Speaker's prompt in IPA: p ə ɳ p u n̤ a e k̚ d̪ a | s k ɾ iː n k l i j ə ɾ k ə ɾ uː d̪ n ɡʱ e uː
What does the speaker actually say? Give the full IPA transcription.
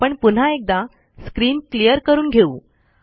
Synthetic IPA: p ə ɳ p u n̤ a e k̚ d̪ a | s k ɾ iː n k l i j ə ɾ k ə ɾ uː n ɡʱ e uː